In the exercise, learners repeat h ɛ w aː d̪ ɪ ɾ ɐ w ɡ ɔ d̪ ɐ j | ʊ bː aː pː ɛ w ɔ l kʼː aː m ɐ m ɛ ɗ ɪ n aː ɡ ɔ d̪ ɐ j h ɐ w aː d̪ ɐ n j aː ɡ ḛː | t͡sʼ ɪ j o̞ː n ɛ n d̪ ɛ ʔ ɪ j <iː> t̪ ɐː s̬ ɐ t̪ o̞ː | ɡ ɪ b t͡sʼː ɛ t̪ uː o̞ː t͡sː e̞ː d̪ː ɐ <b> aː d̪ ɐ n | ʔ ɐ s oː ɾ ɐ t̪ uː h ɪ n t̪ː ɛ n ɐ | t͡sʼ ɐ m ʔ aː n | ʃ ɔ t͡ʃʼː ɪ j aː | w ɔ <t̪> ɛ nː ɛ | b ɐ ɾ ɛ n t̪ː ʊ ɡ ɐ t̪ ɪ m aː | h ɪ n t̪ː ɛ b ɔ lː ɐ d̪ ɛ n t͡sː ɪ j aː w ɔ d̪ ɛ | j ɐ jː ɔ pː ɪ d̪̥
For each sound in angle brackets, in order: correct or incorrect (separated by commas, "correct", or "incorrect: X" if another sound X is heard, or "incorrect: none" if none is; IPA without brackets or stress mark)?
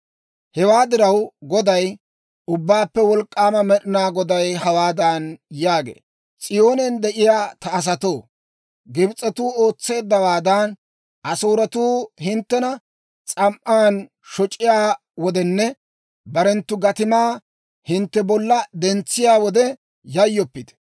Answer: incorrect: aː, incorrect: w, incorrect: d̪